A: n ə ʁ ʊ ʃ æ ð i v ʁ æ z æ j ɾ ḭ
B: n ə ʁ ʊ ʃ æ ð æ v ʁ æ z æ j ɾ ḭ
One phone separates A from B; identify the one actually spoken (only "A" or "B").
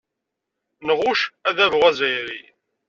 B